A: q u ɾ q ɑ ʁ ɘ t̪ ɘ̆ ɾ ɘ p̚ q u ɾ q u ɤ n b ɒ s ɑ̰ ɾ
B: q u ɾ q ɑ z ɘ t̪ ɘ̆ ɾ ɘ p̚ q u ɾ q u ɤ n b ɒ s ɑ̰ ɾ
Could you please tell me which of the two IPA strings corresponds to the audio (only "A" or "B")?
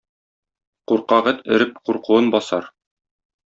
A